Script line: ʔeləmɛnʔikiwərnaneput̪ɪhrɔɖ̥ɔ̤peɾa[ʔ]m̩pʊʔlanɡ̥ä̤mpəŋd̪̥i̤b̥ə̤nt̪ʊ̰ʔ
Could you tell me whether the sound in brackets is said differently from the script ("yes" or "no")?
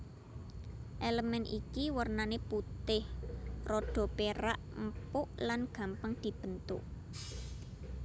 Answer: no